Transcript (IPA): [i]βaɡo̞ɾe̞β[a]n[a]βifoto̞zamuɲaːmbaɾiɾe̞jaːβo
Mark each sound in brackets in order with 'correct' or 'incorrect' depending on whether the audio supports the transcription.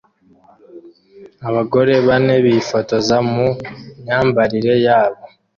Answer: incorrect: a, correct, incorrect: e

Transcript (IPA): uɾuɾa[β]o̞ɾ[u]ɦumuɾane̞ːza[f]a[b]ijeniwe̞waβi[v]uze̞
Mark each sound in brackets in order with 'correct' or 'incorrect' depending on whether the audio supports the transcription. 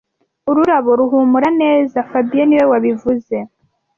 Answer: correct, correct, correct, correct, correct

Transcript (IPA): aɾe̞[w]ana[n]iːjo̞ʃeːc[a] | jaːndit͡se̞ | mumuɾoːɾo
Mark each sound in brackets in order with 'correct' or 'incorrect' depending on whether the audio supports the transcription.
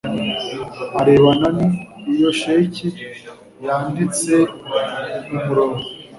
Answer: incorrect: β, correct, incorrect: i

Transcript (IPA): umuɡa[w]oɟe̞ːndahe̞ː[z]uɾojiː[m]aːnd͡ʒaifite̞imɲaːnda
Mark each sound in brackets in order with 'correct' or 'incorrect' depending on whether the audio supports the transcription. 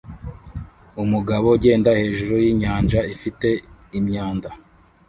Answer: incorrect: β, incorrect: ʒ, incorrect: ɲ

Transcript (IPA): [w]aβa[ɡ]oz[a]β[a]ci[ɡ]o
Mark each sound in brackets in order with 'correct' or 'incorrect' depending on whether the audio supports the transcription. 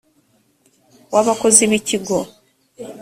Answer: correct, incorrect: k, incorrect: i, incorrect: i, correct

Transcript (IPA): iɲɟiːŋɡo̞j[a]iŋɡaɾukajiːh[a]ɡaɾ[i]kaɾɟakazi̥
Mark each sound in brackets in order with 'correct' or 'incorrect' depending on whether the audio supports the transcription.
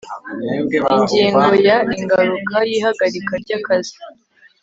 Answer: correct, correct, correct

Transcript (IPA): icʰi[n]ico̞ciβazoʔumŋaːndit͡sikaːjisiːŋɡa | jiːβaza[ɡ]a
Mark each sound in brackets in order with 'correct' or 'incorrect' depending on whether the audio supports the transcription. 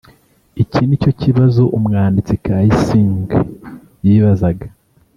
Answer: correct, correct

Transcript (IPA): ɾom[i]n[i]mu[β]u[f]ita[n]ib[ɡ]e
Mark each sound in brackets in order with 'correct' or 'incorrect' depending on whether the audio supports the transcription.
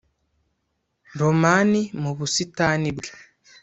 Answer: incorrect: a, correct, correct, incorrect: s, correct, correct

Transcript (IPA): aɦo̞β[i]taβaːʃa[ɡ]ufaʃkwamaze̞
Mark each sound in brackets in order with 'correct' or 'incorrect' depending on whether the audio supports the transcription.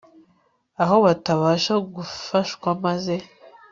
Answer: incorrect: a, correct

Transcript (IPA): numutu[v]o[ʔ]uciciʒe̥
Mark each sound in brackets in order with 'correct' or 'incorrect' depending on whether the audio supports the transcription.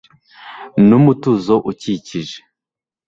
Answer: incorrect: z, correct

